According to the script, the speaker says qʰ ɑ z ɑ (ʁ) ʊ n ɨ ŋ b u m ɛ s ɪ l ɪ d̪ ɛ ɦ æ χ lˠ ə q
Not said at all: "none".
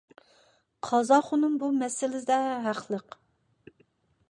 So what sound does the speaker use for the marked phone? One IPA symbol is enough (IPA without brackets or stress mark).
χ